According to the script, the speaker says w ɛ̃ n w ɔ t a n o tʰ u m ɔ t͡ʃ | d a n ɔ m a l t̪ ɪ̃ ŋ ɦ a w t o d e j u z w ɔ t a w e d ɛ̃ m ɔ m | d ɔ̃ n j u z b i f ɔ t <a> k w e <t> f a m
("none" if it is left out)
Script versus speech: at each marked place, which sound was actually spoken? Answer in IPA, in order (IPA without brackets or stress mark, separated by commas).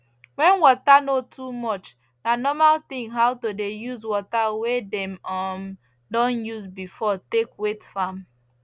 e, t